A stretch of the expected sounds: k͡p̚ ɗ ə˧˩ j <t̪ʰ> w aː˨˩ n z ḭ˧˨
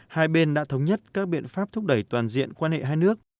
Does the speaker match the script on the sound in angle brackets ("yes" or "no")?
no